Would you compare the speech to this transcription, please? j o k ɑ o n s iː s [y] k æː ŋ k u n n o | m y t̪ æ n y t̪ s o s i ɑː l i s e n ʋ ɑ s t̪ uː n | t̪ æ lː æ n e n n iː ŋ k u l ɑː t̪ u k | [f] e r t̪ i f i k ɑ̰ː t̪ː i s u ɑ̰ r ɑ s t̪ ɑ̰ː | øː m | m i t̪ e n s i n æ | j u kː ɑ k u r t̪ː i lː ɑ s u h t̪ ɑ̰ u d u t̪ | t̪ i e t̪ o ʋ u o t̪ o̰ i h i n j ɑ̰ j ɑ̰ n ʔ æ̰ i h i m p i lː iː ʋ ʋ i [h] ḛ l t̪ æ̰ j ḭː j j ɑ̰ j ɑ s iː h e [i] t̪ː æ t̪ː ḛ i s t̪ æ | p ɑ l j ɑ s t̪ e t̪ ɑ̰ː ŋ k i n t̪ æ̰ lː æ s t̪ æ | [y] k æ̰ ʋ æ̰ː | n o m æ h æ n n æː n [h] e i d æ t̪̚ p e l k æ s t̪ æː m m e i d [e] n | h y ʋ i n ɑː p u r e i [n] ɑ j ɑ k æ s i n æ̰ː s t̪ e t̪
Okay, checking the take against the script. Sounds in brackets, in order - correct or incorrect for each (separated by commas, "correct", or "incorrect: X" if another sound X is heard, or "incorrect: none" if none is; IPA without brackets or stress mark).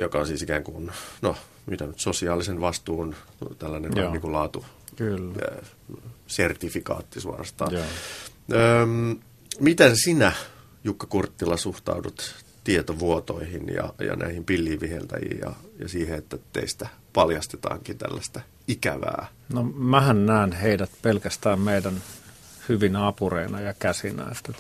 incorrect: i, incorrect: s, correct, incorrect: e, incorrect: i, correct, incorrect: æ, correct